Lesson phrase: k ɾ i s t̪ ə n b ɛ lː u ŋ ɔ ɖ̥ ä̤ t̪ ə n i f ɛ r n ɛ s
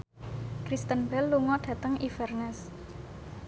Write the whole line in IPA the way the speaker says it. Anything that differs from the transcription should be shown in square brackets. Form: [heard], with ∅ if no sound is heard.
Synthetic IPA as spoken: k ɾ i s t̪ ə n b ɛ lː u ŋ ɔ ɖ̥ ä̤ t̪ ə [ŋ] i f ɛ r n ɛ s